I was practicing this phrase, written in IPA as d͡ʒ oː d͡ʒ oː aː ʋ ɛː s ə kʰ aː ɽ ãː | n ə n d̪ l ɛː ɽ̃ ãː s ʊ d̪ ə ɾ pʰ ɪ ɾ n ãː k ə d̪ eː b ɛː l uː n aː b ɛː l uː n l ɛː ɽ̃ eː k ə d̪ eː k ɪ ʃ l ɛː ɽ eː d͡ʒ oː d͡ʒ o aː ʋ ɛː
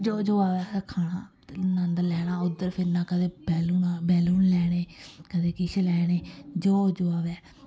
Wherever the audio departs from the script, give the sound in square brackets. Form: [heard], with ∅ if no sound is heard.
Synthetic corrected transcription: d͡ʒ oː d͡ʒ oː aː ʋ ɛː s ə kʰ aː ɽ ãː | n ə n d̪ l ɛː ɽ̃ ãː [∅] ʊ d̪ ə ɾ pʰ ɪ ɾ n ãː k ə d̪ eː b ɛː l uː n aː b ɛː l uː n l ɛː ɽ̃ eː k ə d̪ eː k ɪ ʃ l ɛː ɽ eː d͡ʒ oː d͡ʒ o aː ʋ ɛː

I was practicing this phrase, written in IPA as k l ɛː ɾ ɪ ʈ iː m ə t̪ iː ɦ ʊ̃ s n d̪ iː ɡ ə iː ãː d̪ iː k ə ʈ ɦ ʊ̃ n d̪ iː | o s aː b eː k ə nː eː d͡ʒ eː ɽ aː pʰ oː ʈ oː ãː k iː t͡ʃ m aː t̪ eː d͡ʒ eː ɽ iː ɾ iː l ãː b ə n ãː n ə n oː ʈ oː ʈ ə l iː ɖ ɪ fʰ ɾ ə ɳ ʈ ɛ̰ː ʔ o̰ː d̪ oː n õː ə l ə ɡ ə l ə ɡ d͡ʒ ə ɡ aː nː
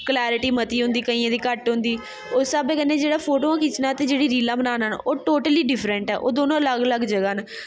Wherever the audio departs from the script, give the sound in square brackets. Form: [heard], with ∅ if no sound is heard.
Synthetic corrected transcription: k l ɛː ɾ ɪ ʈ iː m ə t̪ iː ɦ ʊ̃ [∅] n d̪ iː [k] ə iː ãː d̪ iː k ə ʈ ɦ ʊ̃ n d̪ iː | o s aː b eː k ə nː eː d͡ʒ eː ɽ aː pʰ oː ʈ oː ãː k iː t͡ʃ [n] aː t̪ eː d͡ʒ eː ɽ iː ɾ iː l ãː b ə n [aː] n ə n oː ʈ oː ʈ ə l iː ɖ ɪ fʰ ɾ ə ɳ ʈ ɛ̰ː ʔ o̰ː d̪ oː n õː ə l ə ɡ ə l ə ɡ d͡ʒ ə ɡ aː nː

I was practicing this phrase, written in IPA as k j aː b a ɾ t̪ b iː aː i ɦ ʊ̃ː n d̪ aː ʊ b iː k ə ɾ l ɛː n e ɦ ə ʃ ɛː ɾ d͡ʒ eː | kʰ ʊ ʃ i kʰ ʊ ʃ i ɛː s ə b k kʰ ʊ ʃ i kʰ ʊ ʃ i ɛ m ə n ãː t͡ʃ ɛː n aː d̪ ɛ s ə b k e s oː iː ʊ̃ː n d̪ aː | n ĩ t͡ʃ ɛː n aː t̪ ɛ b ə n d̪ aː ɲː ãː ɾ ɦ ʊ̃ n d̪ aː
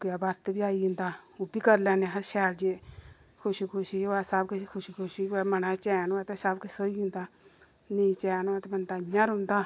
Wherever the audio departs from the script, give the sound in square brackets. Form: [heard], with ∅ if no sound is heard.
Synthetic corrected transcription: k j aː b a ɾ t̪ b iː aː i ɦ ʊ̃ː n d̪ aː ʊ b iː k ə ɾ l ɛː n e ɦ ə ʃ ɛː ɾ d͡ʒ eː | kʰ ʊ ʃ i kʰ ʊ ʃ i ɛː s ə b k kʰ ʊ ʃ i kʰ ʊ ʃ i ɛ m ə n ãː t͡ʃ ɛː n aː [t̪] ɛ s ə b k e s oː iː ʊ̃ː n d̪ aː | n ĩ t͡ʃ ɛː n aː t̪ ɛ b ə n d̪ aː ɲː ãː ɾ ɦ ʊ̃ n d̪ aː

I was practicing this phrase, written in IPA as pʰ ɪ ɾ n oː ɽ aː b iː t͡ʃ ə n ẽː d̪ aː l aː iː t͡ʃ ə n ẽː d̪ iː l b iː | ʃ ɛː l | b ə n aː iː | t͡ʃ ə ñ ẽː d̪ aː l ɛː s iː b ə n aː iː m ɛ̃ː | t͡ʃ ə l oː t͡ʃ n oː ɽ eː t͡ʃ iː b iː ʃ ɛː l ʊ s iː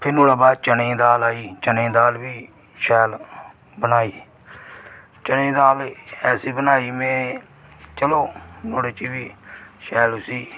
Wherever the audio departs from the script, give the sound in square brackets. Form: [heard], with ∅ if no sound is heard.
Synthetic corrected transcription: pʰ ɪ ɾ n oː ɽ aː b [aː] t͡ʃ ə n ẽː d̪ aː l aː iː t͡ʃ ə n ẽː d̪ [aː] l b iː | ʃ ɛː l | b ə n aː iː | t͡ʃ ə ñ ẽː d̪ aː l ɛː s iː b ə n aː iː m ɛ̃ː | t͡ʃ ə l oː [∅] n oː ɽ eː t͡ʃ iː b iː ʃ ɛː l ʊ s iː

